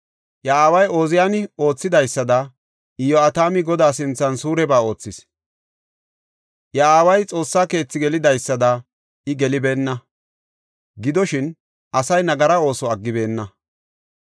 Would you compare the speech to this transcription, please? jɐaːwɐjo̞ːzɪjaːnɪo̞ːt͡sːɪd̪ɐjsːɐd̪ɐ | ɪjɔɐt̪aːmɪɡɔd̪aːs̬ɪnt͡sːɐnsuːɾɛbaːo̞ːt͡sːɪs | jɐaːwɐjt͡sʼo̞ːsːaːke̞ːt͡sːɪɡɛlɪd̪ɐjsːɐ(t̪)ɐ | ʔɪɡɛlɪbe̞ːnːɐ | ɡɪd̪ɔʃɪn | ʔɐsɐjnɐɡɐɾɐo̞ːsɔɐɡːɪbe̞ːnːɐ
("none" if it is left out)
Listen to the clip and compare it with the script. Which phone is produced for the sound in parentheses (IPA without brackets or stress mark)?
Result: d̪